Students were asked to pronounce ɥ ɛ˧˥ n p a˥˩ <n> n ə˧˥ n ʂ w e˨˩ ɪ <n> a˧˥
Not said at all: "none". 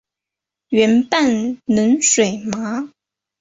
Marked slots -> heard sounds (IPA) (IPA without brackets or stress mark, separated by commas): n, m